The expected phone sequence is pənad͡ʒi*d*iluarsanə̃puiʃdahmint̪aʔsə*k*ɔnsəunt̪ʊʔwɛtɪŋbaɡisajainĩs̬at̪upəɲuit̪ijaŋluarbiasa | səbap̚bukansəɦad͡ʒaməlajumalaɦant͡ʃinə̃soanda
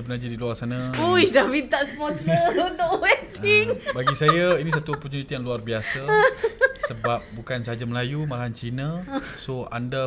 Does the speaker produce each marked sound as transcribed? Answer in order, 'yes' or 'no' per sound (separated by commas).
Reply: yes, no